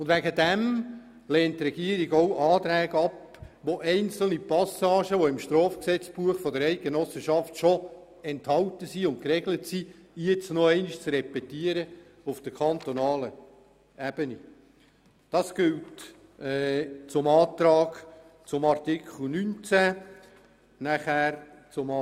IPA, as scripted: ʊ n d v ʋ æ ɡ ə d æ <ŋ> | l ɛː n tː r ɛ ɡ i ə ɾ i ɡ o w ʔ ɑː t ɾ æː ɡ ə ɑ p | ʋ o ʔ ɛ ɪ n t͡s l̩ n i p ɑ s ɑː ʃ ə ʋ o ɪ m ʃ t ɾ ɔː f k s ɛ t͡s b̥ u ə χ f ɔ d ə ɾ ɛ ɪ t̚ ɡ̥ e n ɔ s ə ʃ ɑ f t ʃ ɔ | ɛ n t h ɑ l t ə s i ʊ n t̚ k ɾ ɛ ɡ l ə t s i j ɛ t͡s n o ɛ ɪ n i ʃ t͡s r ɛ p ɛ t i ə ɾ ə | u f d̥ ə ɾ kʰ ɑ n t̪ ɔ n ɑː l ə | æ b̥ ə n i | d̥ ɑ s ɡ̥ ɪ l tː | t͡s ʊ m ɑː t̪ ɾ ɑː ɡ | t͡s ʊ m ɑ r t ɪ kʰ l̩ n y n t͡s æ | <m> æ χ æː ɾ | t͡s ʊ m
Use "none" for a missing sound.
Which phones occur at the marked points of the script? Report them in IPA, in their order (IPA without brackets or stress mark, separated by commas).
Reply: m, n